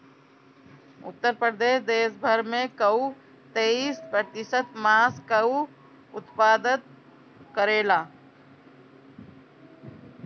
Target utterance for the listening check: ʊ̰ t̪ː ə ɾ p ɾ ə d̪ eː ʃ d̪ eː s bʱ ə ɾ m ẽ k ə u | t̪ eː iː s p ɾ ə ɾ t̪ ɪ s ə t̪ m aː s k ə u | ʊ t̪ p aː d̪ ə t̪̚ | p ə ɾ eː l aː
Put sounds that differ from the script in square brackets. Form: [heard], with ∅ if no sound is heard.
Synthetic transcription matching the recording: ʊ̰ t̪ː ə ɾ p ɾ ə d̪ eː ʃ d̪ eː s bʱ ə ɾ m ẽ k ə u | t̪ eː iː s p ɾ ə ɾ t̪ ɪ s ə t̪ m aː s k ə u | ʊ t̪ p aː d̪ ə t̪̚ | [k] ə ɾ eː l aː

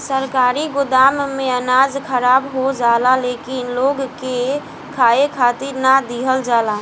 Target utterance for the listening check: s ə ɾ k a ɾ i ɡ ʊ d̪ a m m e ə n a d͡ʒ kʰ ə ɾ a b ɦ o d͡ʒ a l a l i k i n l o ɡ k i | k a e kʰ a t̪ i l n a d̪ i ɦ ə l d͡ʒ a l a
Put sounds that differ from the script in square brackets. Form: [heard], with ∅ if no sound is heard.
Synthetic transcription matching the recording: s ə ɾ k a ɾ i ɡ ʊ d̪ a m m e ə n a d͡ʒ kʰ ə ɾ a b ɦ o d͡ʒ a l a l [e] k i n l o ɡ k [e] | [kʰ] a e kʰ a t̪ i [ɾ] n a d̪ i ɦ ə l d͡ʒ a l a

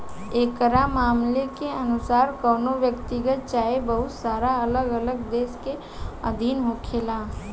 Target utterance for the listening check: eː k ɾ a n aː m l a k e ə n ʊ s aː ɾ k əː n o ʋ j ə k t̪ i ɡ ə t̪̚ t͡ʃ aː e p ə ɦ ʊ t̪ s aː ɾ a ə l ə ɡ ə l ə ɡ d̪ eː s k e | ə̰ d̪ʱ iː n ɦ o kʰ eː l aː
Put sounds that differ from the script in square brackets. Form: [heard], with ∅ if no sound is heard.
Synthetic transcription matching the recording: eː k ɾ a [m] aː m l [e] k e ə n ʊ s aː ɾ k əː n o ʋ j ə k t̪ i ɡ ə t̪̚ t͡ʃ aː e [b] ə ɦ ʊ t̪ s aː ɾ a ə l ə ɡ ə l ə ɡ d̪ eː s k e | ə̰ d̪ʱ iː n ɦ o kʰ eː l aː

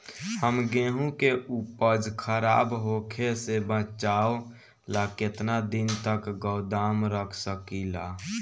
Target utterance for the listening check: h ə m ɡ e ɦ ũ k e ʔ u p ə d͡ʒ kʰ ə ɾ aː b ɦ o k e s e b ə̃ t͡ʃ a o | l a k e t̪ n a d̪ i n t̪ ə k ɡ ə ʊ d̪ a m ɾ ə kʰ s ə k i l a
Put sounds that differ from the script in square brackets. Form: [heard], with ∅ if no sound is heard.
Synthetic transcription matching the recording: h ə m ɡ e ɦ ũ k e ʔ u p ə d͡ʒ kʰ ə ɾ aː b ɦ o [kʰ] e s e b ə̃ t͡ʃ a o | l a k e t̪ n a d̪ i n t̪ ə k ɡ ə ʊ d̪ a m ɾ ə kʰ s ə k i l a

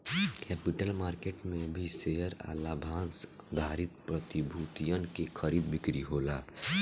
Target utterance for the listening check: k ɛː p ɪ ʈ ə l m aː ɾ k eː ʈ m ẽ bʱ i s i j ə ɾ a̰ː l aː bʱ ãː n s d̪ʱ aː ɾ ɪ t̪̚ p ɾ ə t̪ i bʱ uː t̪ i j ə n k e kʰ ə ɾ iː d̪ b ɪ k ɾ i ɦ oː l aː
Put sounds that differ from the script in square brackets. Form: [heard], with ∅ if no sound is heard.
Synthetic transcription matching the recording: k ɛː p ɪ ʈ ə l m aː ɾ k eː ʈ m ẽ bʱ i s [e] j ə ɾ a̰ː l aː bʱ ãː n s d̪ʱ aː ɾ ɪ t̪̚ p ɾ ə t̪ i bʱ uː t̪ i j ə n k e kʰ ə ɾ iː d̪ b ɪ k ɾ i ɦ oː l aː

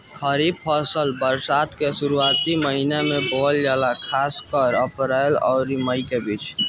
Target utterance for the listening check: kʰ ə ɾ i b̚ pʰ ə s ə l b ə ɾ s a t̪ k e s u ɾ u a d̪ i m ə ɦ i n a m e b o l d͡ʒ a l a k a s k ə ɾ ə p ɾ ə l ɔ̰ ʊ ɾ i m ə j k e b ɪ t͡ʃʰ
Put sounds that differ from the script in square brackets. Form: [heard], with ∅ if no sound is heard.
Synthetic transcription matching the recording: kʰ ə ɾ i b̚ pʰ ə s ə l b ə ɾ s a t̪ k e s u ɾ u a [t̪] i m ə ɦ i n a m e b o l d͡ʒ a l a [kʰ] a s k ə ɾ ə p ɾ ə l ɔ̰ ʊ ɾ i m ə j k e b [i] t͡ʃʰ

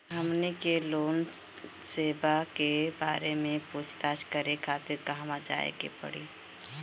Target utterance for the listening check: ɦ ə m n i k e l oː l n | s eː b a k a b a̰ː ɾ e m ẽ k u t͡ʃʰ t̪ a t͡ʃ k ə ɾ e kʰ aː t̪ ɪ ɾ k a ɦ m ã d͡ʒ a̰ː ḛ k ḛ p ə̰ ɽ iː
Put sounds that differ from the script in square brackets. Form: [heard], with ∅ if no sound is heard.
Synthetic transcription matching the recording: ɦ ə m n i k e l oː [∅] n | s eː b a k [e] b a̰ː ɾ e m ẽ [p] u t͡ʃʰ t̪ a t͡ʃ k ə ɾ e kʰ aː t̪ ɪ ɾ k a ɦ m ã d͡ʒ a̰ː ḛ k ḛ p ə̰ ɽ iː

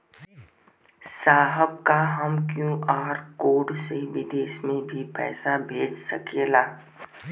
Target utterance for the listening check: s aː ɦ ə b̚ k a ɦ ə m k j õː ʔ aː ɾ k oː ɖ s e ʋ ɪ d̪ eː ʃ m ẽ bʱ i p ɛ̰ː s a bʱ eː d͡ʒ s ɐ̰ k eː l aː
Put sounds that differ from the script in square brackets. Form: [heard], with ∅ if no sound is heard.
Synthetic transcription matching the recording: s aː ɦ ə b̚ k a ɦ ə m k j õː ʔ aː ɾ k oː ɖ s e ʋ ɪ d̪ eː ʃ m ẽ bʱ i p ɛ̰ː s a bʱ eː d͡ʒ s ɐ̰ k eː l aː

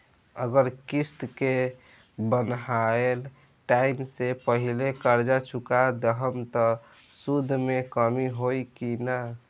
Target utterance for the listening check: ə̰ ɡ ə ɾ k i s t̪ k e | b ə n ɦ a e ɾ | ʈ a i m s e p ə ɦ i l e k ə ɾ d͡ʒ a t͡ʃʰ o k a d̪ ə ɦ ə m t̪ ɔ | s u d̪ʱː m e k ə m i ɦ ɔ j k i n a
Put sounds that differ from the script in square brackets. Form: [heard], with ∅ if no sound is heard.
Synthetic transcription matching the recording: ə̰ ɡ ə ɾ k i s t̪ k e | b ə n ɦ a e [l] | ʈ a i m s e p ə ɦ i l e k ə ɾ d͡ʒ a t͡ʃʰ [u] k a d̪ ə ɦ ə m t̪ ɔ | s u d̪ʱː m e k ə m i ɦ [o] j k i n a

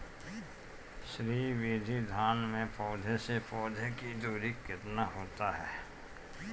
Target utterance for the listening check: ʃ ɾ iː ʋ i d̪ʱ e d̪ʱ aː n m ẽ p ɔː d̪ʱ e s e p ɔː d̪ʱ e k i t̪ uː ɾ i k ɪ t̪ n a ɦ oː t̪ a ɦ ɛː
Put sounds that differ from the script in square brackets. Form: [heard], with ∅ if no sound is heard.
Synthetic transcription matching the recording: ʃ ɾ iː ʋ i d̪ʱ [i] d̪ʱ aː n m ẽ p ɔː d̪ʱ e s e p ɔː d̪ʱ e k i [d̪] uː ɾ i k ɪ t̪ n a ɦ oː t̪ a ɦ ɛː

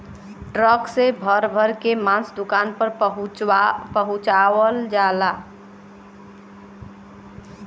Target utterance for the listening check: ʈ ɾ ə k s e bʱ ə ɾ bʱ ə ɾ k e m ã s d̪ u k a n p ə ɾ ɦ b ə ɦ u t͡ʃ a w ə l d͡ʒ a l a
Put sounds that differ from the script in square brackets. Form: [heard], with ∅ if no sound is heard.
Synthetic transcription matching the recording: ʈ ɾ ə k s e bʱ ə ɾ bʱ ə ɾ k e m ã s d̪ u k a n p ə ɾ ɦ [p] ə ɦ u t͡ʃ a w ə l d͡ʒ a l a

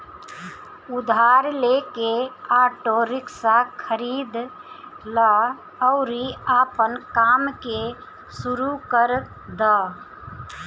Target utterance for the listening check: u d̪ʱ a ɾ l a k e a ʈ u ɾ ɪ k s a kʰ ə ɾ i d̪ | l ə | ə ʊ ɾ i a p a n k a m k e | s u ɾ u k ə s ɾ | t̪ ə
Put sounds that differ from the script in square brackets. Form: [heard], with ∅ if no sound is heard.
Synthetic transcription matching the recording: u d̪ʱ a ɾ l [e] k e a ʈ [o] ɾ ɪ k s a kʰ ə ɾ i d̪ | l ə | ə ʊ ɾ i a p [ə] n k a m k e | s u ɾ u k ə [∅] ɾ | [d̪] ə

